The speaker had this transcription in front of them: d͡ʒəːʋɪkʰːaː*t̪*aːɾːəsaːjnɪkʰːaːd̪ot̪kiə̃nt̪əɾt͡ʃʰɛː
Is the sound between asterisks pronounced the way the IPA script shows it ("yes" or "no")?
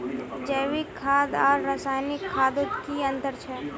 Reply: no